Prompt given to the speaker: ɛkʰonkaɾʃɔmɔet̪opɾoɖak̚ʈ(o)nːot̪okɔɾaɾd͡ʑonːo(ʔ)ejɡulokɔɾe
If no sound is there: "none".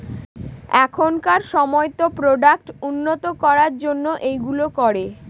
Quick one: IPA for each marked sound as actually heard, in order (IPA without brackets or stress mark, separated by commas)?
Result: u, ʔ